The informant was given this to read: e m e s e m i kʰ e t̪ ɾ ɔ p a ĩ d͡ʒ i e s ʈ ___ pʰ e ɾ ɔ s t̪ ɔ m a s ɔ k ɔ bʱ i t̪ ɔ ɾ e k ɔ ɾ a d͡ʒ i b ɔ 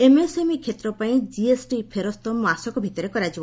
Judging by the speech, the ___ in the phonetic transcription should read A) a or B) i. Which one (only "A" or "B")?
B